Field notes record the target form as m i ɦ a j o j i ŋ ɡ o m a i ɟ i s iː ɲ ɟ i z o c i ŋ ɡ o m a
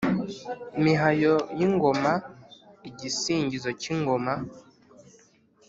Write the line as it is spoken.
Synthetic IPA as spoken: m i ɦ a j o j i ŋ ɡ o m a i ɟ i s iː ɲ ɟ i z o c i ŋ ɡ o m a